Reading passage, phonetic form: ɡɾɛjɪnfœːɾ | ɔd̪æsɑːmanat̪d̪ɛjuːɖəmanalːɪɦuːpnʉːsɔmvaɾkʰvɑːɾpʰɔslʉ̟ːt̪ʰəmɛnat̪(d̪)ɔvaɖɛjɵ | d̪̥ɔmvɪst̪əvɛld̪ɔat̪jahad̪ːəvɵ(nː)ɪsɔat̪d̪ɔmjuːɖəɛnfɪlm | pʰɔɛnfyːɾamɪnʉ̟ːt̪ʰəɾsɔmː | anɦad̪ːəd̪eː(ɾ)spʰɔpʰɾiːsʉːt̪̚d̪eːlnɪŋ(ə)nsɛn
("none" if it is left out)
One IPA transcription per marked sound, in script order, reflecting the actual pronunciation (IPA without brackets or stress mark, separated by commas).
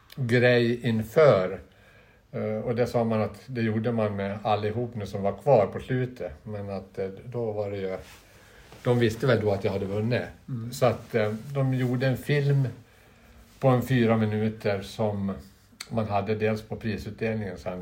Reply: d̪, nː, l, ə